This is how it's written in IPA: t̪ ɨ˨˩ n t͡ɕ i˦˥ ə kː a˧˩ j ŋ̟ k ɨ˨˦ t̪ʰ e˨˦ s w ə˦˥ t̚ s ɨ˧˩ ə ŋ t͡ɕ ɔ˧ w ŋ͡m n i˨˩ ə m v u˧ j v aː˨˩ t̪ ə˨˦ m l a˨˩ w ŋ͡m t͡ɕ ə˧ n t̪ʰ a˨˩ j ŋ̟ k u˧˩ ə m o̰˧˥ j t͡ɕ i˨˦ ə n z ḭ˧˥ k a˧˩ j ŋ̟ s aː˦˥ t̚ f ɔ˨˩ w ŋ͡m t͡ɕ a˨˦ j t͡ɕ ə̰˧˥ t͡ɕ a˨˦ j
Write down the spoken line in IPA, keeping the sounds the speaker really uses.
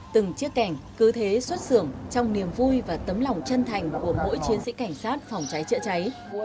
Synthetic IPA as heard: t̪ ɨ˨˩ ŋ t͡ɕ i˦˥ ə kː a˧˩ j ŋ̟ k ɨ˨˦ t̪ʰ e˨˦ s w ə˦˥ t̚ s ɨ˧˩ ə ŋ t͡ɕ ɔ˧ w ŋ͡m n i˨˩ ə m v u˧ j v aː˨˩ t̪ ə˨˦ m l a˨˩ w ŋ͡m t͡ɕ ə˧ n t̪ʰ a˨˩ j ŋ̟ k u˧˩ ə m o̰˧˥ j t͡ɕ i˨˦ ə n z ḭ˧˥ k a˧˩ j ŋ̟ s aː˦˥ t̚ f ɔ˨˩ w ŋ͡m t͡ɕ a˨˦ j t͡ɕ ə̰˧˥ t͡ɕ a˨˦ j